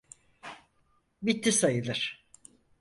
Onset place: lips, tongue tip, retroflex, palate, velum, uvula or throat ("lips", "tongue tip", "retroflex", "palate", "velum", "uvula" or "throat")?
lips